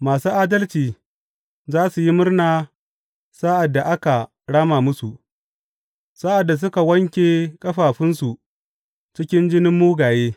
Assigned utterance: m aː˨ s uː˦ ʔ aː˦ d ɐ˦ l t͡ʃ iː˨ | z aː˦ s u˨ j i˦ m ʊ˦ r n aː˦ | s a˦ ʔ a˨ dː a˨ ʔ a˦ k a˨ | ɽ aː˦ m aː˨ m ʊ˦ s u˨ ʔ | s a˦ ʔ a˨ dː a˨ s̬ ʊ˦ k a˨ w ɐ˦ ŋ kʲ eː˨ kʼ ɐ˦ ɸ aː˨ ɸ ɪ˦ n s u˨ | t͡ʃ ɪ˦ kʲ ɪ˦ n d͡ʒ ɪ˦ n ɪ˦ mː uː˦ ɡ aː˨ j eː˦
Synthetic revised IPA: m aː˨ s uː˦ ʔ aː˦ d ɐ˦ l t͡ʃ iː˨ | z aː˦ s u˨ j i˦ m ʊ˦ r n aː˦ | s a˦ ʔ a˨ dː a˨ ʔ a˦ k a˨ | ɽ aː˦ m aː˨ m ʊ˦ s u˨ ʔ | s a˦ ʔ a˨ dː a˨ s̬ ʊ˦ k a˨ w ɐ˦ ŋ kʲ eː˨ kʼ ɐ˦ ɸ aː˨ ɸ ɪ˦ n s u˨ | t͡ʃ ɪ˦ kʲ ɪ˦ n d͡ʒ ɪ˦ n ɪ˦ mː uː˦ ɡ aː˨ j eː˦